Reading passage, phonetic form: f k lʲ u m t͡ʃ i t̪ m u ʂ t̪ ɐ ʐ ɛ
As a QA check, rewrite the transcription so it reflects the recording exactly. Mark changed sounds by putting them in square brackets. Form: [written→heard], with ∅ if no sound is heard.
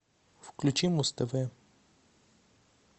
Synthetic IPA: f k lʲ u [m→∅] t͡ʃ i [t̪→∅] m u [ʂ→s] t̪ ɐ [ʐ→v] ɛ